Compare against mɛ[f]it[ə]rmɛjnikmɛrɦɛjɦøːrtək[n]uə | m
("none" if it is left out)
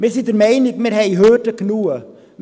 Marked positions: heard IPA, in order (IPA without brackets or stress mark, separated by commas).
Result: s, ə, n